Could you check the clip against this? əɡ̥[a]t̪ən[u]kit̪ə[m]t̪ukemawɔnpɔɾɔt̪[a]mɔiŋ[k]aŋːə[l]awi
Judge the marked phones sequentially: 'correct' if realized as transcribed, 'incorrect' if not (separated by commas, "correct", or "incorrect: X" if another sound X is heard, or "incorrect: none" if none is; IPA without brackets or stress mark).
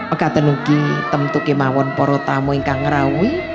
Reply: correct, correct, correct, correct, correct, incorrect: ɾ